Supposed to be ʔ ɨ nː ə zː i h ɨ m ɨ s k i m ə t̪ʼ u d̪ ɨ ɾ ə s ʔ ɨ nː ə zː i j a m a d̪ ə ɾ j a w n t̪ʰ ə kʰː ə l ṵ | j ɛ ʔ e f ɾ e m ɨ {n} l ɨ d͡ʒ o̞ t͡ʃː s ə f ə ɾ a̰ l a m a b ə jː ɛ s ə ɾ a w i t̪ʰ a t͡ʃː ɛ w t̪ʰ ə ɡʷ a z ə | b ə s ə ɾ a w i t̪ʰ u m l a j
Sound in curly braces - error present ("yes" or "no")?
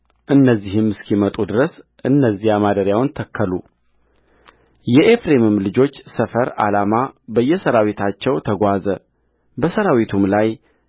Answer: yes